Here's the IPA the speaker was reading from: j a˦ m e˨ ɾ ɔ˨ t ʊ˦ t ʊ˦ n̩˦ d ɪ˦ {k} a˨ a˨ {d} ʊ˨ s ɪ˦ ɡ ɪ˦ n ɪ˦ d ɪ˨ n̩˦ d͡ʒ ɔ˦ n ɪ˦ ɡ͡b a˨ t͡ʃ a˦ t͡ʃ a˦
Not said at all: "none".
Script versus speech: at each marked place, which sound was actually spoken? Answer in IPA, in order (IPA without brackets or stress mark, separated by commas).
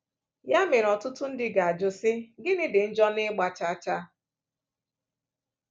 ɡ, d͡ʒ